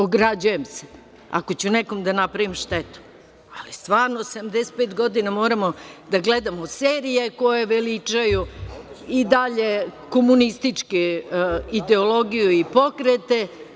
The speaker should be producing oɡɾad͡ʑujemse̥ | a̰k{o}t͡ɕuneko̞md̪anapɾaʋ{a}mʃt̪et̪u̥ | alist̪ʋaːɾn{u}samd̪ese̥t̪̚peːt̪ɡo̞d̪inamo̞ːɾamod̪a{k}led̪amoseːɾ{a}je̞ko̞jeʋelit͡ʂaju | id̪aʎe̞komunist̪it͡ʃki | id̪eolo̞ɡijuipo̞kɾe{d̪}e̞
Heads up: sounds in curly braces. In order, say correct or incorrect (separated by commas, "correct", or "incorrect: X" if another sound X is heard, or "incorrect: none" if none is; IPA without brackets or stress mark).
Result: correct, incorrect: i, incorrect: o, incorrect: ɡ, incorrect: i, incorrect: t̪